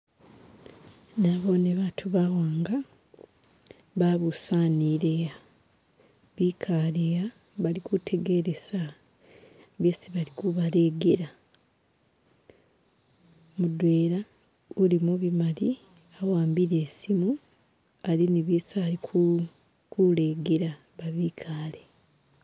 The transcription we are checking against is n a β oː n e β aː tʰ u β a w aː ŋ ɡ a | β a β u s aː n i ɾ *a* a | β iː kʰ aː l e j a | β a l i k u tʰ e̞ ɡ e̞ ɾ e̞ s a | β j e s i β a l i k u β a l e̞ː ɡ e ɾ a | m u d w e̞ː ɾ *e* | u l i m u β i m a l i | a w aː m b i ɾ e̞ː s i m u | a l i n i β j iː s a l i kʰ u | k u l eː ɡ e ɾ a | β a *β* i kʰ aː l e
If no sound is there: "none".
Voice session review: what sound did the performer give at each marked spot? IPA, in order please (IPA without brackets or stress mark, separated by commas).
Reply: e, a, β